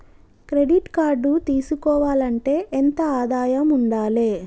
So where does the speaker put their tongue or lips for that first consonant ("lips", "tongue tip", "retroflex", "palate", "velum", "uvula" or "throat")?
velum